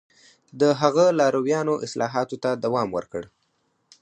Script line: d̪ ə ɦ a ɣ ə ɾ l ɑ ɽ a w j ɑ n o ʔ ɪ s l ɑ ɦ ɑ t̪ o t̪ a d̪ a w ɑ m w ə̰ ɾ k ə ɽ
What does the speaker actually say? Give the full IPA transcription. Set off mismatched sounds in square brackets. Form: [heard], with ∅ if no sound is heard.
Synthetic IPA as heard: d̪ ə ɦ a ɣ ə [∅] l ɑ [ɾ] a w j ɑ n o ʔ ɪ s l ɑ ɦ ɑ t̪ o t̪ a d̪ a w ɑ m w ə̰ ɾ k ə ɽ